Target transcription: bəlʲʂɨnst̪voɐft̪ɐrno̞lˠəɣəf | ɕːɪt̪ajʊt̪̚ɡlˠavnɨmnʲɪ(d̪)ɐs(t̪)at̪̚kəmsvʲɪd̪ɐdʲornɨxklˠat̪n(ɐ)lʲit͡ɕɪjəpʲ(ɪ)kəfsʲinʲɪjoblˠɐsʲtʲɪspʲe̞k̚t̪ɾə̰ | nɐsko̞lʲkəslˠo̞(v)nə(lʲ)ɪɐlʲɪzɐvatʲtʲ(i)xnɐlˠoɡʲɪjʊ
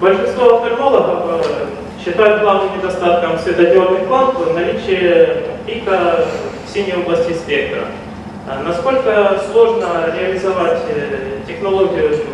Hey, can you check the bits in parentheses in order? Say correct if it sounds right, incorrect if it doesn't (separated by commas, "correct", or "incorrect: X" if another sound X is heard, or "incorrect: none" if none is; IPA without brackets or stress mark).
correct, correct, correct, incorrect: i, incorrect: ʐ, incorrect: ɾʲ, incorrect: ɪ